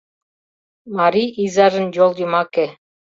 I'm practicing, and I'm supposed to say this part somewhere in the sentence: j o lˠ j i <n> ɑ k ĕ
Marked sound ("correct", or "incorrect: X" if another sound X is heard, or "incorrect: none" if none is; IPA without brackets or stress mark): incorrect: m